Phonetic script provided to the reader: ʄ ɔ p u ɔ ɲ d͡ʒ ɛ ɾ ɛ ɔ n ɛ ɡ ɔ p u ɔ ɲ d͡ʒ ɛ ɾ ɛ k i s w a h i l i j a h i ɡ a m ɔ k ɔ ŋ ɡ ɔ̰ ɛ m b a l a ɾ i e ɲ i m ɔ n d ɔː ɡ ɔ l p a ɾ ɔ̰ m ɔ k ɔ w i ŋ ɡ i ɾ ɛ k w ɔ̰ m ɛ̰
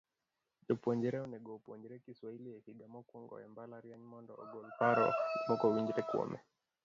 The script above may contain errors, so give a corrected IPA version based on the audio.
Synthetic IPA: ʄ ɔ p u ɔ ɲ d͡ʒ ɛ ɾ ɛ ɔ n ɛ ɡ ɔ p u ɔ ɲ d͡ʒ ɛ ɾ ɛ k i s w a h i l i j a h i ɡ a m ɔ k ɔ ŋ ɡ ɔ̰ ɛ m b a l a ɾ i a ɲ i m ɔ n d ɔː ɡ ɔ l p a ɾ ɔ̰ m ɔ k ɔ w i ŋ ɡ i ɾ ɛ k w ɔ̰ m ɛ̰